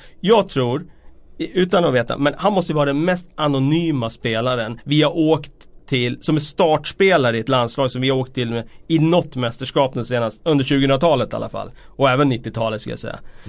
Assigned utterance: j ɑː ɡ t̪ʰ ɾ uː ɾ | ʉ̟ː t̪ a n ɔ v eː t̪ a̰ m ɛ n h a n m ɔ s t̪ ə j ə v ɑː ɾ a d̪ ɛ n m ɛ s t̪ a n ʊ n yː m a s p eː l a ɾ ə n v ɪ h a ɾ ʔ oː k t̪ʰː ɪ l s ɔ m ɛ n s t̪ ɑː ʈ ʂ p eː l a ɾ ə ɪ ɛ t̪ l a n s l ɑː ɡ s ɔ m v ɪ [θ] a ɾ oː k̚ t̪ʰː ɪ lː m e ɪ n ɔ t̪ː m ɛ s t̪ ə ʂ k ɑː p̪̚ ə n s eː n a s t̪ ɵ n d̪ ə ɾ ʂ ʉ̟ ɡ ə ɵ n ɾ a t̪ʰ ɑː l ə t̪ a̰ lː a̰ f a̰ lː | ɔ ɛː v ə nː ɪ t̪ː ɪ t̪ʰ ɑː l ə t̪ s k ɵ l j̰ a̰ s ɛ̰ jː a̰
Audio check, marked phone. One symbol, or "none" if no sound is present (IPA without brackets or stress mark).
h